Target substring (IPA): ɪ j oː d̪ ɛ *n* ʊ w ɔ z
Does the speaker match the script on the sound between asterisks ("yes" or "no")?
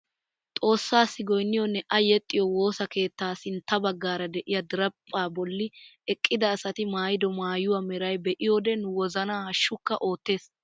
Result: yes